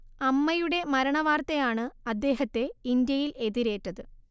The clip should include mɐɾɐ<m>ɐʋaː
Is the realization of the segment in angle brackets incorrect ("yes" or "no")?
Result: yes